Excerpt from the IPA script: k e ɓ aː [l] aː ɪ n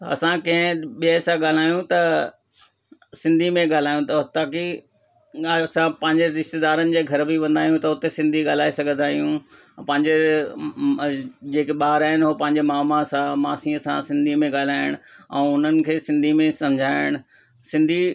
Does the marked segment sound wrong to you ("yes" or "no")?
yes